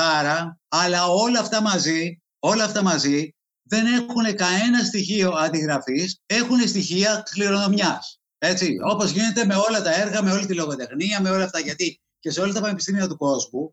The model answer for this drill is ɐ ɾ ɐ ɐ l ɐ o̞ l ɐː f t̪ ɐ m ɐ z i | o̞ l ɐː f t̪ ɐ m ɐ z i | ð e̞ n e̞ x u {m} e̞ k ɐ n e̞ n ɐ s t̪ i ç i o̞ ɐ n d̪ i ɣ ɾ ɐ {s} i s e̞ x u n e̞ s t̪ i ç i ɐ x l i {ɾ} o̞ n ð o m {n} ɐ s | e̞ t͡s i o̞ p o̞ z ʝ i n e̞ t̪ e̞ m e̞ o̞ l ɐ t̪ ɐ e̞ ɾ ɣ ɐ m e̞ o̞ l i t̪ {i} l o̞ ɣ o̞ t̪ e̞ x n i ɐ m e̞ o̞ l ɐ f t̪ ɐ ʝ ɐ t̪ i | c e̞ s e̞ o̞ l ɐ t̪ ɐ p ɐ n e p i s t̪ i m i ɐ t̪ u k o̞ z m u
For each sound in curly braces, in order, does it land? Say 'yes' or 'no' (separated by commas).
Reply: no, no, yes, no, yes